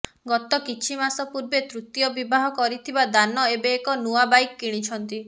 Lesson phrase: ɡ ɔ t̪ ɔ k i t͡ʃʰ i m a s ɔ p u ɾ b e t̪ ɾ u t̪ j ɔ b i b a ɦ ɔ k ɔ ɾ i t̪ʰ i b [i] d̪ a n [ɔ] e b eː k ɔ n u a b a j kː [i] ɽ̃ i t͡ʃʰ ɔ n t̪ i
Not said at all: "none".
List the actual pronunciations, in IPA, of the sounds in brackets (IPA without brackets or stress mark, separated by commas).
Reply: a, ɔ, i